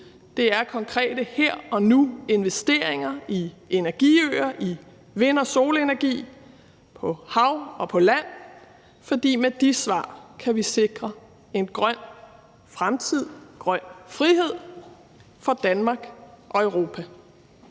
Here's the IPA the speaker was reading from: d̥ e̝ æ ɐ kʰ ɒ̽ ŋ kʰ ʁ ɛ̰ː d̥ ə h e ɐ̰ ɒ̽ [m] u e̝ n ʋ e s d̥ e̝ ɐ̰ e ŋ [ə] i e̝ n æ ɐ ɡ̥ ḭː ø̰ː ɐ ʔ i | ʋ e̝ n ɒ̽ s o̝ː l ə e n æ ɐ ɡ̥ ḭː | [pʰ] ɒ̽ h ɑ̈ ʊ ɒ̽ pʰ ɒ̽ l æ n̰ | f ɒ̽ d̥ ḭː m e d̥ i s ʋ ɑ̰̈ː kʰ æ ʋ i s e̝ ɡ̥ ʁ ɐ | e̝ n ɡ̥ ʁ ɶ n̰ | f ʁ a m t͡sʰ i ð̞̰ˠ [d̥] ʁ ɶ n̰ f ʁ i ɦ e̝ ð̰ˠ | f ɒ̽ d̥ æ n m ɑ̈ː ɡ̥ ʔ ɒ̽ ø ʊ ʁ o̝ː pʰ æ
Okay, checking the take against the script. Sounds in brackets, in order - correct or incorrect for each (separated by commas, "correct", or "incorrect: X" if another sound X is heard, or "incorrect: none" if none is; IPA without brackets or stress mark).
incorrect: n, incorrect: ɐ, correct, incorrect: ɡ̥